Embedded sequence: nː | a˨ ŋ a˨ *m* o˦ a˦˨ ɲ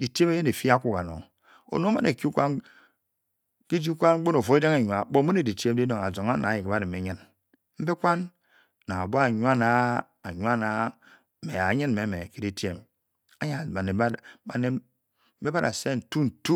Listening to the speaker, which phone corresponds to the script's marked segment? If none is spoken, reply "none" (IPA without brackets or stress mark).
b